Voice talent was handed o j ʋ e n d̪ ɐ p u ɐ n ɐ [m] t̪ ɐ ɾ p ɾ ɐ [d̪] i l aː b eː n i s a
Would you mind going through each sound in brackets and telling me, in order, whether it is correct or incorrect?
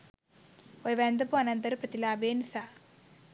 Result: incorrect, incorrect

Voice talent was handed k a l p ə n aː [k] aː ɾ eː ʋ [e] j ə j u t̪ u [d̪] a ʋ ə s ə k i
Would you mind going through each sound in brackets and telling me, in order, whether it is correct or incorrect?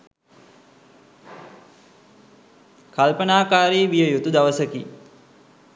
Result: correct, incorrect, correct

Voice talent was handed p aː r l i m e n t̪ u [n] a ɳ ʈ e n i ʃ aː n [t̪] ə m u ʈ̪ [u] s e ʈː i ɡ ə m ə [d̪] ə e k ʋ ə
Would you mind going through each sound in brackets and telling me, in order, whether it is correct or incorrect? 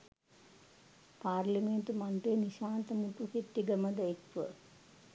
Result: incorrect, correct, correct, correct

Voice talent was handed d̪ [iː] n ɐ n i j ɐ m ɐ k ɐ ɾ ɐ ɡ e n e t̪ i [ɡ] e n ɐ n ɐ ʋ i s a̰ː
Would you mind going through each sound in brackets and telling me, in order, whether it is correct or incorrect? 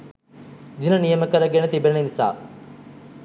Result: incorrect, incorrect

